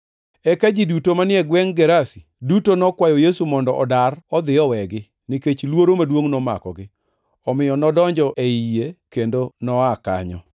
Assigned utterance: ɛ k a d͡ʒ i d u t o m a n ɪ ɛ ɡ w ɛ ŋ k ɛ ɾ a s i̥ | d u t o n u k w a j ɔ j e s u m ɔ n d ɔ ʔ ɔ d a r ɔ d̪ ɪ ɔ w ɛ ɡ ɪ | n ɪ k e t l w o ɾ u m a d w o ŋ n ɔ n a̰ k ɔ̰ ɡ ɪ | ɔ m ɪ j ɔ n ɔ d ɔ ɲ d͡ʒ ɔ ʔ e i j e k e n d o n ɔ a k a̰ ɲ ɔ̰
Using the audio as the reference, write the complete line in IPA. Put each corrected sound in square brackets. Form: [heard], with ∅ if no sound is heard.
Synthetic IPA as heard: ɛ k a d͡ʒ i d u t o m a n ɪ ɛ ɡ w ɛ ŋ [ɡ] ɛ ɾ a s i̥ | d u t o n [ɔ] k w a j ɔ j e s u m ɔ n d ɔ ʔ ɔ d a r ɔ d̪ ɪ ɔ w ɛ ɡ ɪ | n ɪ k e [t͡ʃ] l w o ɾ [o] m a d w o ŋ n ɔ [m] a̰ k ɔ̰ ɡ ɪ | ɔ m ɪ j ɔ n ɔ d ɔ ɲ d͡ʒ ɔ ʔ e i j e k e n d o n ɔ a k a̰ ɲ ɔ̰